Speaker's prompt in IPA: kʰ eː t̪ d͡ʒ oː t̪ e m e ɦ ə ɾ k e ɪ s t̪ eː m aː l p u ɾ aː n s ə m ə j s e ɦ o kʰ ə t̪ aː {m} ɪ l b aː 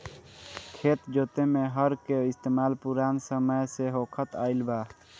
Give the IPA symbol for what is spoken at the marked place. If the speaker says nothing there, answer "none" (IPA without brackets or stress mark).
none